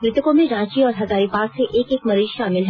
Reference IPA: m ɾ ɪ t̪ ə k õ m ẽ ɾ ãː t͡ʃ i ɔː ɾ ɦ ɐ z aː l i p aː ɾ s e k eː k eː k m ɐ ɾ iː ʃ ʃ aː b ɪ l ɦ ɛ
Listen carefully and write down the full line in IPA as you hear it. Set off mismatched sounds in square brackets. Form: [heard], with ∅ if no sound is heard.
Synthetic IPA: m ɾ ɪ t̪ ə k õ m ẽ ɾ ãː t͡ʃ i ɔː ɾ ɦ ɐ z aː [ɾ] i p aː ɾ s e [ʔ] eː k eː k m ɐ ɾ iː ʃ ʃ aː [m] ɪ l ɦ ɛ